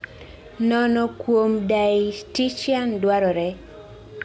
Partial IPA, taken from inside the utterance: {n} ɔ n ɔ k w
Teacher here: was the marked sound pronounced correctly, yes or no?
yes